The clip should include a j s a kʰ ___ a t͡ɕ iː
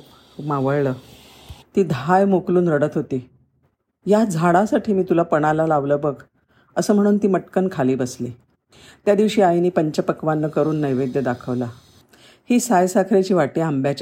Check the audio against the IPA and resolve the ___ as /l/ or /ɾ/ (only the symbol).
ɾ